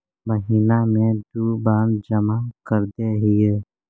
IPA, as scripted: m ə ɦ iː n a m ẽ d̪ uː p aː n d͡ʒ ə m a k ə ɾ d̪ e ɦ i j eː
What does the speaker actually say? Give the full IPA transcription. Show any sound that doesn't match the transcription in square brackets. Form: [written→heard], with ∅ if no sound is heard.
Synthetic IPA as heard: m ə ɦ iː n a m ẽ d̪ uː [p→b] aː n d͡ʒ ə m a k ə ɾ d̪ e ɦ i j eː